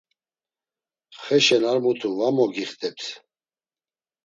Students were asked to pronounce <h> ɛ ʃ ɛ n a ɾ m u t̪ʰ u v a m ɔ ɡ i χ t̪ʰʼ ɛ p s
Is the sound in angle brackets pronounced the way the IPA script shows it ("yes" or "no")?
no